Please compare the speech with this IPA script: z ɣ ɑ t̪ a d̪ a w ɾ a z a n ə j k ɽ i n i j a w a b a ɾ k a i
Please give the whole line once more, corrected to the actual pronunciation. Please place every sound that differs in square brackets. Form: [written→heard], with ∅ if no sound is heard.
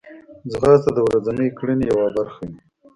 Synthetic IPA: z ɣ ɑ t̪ a d̪ [a→ə] w ɾ a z a n ə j k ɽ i n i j a w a b a ɾ [k→x] a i

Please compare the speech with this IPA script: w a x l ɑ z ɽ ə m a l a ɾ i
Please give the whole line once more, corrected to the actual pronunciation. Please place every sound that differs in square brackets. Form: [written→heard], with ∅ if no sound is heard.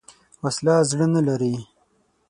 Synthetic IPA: w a [x→s] l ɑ z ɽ ə [m→n] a l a ɾ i

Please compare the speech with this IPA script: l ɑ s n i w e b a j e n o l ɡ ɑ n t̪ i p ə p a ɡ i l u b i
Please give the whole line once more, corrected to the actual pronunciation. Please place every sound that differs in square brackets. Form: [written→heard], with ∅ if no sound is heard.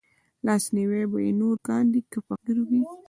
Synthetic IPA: l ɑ s n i w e b a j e n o [l→ɾ] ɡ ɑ n [t̪→d̪] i [p→k] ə p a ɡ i [l→ɾ] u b i

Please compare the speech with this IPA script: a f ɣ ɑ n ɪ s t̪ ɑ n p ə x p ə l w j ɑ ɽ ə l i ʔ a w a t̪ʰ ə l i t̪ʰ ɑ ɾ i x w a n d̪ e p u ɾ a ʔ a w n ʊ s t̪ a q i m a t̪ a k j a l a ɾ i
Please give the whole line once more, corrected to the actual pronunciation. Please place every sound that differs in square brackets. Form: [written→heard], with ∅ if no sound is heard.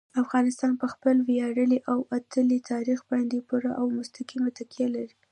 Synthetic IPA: a f ɣ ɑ n ɪ s t̪ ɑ n p ə x p ə l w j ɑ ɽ ə l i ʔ a w a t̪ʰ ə l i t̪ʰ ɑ ɾ i x [w→b] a n d̪ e p u ɾ a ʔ a w [n→m] ʊ s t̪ a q i m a t̪ a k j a l a ɾ i

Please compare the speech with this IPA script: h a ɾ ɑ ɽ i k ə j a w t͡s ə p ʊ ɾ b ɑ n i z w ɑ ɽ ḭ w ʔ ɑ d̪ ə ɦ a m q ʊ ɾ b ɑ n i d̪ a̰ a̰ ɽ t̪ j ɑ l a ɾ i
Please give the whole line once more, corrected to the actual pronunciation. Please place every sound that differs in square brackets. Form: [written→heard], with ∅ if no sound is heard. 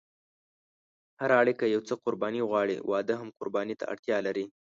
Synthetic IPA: h a ɾ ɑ ɽ i k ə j a w t͡s ə [p→q] ʊ ɾ b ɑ n i [z→ɣ] w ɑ ɽ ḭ w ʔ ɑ d̪ ə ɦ a m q ʊ ɾ b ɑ n i [d̪→t̪] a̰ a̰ ɽ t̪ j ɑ l a ɾ i

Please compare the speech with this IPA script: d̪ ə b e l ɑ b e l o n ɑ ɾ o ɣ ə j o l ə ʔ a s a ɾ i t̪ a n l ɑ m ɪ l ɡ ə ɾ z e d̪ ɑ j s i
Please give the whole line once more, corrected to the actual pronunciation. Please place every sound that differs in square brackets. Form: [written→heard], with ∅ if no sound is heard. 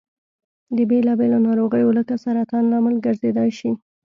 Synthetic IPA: d̪ ə b e l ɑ b e l o n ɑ ɾ o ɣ ə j o l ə [ʔ→k] a s a ɾ [i→a] t̪ [a→ɑ] n l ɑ m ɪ l ɡ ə ɾ z e d̪ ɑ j [s→ʃ] i

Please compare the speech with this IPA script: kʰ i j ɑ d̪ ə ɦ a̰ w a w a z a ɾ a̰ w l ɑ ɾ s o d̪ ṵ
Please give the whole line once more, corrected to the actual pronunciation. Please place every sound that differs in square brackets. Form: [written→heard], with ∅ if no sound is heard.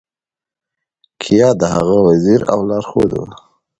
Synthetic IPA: kʰ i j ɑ d̪ ə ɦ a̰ [w→ɣ] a w a z [a→i] ɾ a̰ w l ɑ ɾ [s→x] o d̪ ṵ

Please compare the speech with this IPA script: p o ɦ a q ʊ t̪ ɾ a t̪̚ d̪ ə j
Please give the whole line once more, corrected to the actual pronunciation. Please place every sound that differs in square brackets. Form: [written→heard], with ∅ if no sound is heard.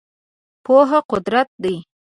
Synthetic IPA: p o ɦ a q ʊ [t̪→d̪] ɾ a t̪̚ d̪ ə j

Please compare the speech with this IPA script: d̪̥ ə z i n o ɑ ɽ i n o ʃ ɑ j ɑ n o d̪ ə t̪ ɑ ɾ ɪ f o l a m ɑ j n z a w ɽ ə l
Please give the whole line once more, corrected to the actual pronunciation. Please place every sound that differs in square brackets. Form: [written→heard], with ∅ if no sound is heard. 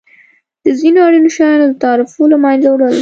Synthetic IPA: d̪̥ ə z i n o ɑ ɽ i n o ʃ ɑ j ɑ n o d̪ ə t̪ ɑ ɾ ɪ f o l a m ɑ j n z a w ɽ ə l

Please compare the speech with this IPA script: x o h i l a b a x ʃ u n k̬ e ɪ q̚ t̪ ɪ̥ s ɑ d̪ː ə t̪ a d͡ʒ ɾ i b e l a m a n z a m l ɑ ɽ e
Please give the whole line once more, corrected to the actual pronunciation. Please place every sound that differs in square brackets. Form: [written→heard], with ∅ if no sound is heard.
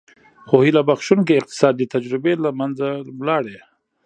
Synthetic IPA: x o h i l a b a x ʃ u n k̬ e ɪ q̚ t̪ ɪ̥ s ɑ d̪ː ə t̪ a d͡ʒ ɾ [i→ɪ] b e l a m a n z a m l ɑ ɽ e

